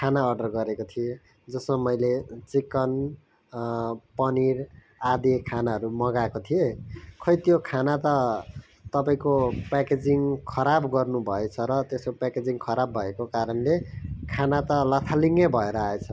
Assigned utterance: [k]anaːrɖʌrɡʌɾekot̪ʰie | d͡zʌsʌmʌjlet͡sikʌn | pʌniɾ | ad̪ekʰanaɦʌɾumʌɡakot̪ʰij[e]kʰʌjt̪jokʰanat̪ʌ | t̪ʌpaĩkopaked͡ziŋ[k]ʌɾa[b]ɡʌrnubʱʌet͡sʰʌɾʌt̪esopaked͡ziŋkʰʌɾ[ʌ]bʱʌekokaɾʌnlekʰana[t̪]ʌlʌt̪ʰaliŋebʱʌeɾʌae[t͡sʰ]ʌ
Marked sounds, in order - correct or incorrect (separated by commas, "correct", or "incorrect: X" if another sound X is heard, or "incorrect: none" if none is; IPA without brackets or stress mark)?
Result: incorrect: kʰ, correct, incorrect: kʰ, correct, incorrect: a, correct, correct